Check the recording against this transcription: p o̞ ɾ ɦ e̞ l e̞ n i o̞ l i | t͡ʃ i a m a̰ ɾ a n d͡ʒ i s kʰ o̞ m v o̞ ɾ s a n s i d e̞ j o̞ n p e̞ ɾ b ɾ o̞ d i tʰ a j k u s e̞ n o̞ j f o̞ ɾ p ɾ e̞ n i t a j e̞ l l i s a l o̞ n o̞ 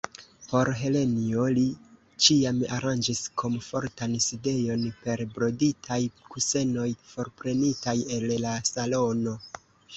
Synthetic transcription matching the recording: p o̞ ɾ ɦ e̞ l e̞ n i o̞ l i | t͡ʃ i a m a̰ ɾ a n d͡ʒ i s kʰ o̞ m f o̞ ɾ t a n s i d e̞ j o̞ n p e̞ ɾ b ɾ o̞ d i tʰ a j k u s e̞ n o̞ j f o̞ ɾ p ɾ e̞ n i t a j e̞ l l a s a l o̞ n o̞